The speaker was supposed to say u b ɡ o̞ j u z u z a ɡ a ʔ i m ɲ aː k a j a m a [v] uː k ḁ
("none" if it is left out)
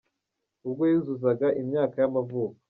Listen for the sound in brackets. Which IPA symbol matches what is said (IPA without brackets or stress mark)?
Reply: v